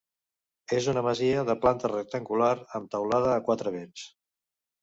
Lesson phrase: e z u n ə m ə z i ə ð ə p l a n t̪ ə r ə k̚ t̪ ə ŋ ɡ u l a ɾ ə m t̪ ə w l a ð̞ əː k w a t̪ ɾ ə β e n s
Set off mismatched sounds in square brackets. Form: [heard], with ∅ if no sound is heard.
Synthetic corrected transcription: e z u n ə m ə z i ə ð ə p l a n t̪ ə r ə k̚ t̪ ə ŋ ɡ u l a ɾ ə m t̪ ə w l a ð̞ əː k w a t̪ ɾ ə β e n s